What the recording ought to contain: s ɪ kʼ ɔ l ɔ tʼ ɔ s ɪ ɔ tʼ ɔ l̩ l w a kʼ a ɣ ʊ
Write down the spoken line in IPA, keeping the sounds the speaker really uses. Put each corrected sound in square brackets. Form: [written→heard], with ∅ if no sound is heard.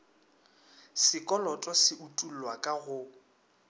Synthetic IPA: s ɪ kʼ ɔ l ɔ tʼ ɔ s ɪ [ɔ→u] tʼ [ɔ→u] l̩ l w a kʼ a ɣ ʊ